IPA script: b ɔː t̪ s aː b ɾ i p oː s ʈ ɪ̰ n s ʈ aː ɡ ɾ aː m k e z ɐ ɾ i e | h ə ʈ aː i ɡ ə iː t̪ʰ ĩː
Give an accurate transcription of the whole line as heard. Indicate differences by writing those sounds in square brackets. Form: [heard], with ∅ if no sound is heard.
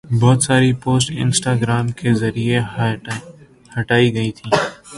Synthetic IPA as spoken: b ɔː t̪ s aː [∅] ɾ i p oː s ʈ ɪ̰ n s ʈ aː ɡ ɾ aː m k e z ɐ ɾ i e | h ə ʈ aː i ɡ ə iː t̪ʰ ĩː